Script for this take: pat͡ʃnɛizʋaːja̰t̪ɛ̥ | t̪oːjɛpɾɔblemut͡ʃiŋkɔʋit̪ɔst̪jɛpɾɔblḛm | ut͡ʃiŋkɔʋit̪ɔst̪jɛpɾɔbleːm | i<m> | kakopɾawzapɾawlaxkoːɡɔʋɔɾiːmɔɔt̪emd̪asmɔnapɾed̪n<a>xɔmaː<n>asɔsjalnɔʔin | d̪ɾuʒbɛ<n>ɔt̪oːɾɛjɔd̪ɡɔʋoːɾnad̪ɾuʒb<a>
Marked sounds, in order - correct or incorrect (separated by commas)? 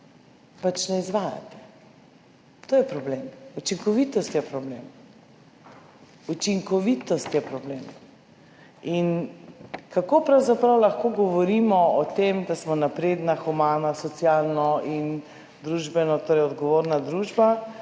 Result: incorrect, correct, correct, correct, correct